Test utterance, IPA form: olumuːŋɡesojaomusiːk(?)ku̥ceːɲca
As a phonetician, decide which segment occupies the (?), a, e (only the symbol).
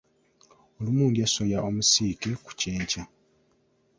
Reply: e